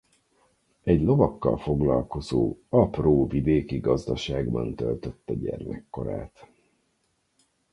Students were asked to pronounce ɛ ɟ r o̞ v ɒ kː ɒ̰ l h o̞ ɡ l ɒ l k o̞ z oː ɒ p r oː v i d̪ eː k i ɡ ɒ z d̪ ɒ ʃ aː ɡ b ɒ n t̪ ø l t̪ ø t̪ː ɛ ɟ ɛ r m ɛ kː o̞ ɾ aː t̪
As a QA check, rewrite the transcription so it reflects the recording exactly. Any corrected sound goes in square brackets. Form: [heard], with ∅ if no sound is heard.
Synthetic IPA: ɛ ɟ [l] o̞ v ɒ kː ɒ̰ l [f] o̞ ɡ l ɒ l k o̞ z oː ɒ p r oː v i d̪ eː k i ɡ ɒ z d̪ ɒ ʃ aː ɡ b ɒ n t̪ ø l t̪ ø t̪ː ɛ ɟ ɛ r m ɛ kː o̞ ɾ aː t̪